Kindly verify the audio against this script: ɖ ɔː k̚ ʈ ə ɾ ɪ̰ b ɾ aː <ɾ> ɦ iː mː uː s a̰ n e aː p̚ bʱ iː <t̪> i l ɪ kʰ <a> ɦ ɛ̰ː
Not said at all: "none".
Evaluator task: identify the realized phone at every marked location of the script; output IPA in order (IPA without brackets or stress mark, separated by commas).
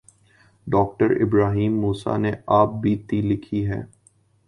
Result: none, t̪, i